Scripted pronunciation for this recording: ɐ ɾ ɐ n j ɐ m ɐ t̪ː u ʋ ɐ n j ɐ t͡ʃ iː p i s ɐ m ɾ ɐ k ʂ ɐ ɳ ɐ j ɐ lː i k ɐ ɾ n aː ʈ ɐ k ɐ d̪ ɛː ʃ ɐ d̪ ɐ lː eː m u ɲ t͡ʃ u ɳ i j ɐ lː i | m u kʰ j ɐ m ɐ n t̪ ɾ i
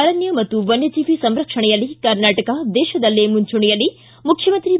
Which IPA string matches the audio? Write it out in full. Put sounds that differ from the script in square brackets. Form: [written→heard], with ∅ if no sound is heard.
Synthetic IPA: ɐ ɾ ɐ n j ɐ m ɐ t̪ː u ʋ ɐ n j ɐ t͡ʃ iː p i s ɐ m ɾ ɐ k ʂ ɐ ɳ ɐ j ɐ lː i k ɐ ɾ n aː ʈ ɐ k ɐ d̪ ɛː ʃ ɐ d̪ ɐ lː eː m u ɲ t͡ʃ u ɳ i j ɐ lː i | m u kʰ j ɐ m ɐ n t̪ ɾ i